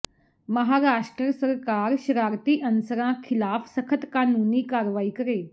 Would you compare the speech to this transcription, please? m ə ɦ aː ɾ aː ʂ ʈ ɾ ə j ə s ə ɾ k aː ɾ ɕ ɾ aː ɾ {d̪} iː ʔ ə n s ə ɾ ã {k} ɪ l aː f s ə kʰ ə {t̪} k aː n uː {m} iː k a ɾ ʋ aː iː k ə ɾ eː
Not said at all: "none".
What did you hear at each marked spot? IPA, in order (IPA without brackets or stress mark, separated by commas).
t̪, kʰ, t̪, n